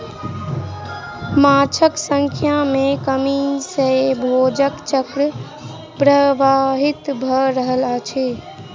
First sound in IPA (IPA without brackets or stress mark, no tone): m